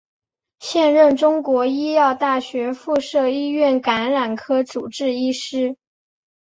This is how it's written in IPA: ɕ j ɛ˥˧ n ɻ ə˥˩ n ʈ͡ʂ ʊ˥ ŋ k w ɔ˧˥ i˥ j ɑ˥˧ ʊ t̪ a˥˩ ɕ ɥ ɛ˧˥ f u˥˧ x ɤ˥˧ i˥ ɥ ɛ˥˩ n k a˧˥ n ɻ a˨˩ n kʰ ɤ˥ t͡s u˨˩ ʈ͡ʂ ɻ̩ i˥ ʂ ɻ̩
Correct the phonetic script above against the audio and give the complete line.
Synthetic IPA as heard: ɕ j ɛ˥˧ n ɻ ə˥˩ n ʈ͡ʂ ʊ˥ ŋ k w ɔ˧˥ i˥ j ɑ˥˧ ʊ t̪ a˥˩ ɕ ɥ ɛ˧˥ f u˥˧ ʂ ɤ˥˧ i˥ ɥ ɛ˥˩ n k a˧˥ n ɻ a˨˩ n kʰ ɤ˥ t͡s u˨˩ ʈ͡ʂ ɻ̩ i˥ ʂ ɻ̩